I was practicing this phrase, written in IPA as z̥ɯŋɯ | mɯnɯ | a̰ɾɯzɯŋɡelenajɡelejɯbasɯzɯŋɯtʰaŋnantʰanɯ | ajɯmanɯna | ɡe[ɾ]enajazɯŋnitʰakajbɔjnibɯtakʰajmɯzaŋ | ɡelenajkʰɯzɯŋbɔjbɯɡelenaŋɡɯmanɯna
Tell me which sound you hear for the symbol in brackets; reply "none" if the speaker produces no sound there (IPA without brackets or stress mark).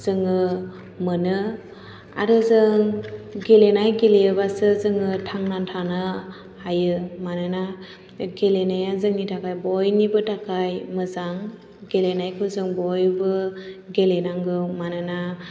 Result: l